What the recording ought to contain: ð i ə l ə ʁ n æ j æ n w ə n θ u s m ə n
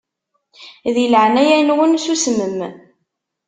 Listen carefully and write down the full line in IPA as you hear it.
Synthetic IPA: ð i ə l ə ʕ n æ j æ n w ə n s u s m ə m